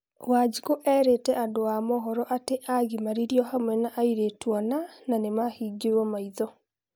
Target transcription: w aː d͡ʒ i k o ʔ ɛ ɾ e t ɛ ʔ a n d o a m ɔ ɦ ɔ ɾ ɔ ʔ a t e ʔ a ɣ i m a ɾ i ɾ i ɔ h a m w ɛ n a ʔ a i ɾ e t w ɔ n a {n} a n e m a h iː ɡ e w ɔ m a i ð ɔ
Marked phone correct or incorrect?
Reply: correct